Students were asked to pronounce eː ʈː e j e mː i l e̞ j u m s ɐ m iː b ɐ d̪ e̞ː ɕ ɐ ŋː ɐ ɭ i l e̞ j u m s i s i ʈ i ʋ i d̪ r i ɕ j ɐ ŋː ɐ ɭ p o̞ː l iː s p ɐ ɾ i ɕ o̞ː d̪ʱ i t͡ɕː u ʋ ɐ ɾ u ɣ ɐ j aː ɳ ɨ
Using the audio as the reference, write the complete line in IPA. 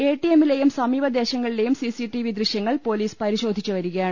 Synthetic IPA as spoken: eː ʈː i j e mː i l e̞ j u m s ɐ m iː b ɐ d̪ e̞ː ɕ ɐ ŋː ɐ ɭ i l e̞ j u m s i s i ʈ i ʋ i d̪ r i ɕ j ɐ ŋː ɐ ɭ p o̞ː l iː s p ɐ ɾ i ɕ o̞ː d̪ʱ i t͡ɕː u ʋ ɐ ɾ u ɣ ɐ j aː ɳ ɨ